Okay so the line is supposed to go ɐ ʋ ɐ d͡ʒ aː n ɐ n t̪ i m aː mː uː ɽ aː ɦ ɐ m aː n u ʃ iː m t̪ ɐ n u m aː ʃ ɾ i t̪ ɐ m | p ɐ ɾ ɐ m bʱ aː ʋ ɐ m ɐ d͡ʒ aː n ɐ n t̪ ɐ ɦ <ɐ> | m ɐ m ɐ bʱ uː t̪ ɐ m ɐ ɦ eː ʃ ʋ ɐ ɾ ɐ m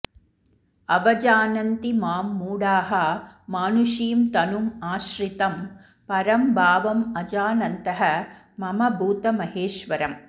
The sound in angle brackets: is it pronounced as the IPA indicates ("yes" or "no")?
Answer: yes